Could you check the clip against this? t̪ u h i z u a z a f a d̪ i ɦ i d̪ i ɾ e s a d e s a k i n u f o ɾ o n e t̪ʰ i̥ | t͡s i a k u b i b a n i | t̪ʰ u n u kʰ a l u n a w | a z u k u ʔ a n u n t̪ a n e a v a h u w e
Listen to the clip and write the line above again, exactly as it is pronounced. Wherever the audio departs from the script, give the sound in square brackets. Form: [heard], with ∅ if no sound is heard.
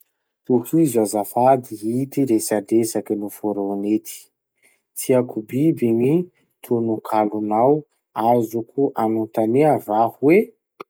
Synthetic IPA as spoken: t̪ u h i z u a z a f a d̪ i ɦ i [t̪] i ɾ e s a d e s a k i n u f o ɾ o n e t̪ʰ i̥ | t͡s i a k u b i b [i] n i | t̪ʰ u n u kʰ a l u n a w | a z u k u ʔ a n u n t̪ a n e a v a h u w e